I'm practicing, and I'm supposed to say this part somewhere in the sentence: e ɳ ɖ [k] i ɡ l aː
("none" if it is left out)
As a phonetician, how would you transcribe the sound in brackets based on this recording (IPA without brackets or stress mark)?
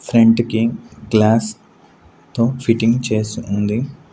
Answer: k